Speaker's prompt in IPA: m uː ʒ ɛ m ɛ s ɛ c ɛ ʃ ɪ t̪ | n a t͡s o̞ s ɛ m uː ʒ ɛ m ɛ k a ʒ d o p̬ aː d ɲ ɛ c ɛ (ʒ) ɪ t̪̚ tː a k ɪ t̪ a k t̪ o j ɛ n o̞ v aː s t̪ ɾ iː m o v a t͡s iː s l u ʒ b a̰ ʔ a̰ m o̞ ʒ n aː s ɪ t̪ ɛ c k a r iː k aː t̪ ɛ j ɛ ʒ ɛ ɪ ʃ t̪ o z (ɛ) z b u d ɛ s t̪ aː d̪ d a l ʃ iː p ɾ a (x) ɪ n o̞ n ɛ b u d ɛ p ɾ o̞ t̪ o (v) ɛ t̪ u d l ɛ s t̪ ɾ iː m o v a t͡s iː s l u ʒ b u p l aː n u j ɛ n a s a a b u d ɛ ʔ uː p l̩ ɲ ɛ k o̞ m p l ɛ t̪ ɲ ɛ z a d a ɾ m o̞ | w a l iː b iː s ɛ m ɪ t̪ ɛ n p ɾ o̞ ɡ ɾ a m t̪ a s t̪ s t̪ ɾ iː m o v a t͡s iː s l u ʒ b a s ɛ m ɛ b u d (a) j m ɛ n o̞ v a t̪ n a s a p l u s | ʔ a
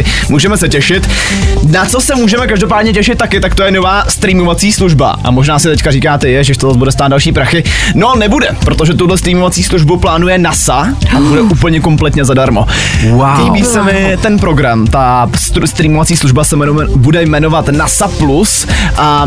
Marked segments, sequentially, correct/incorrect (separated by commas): incorrect, incorrect, correct, incorrect, incorrect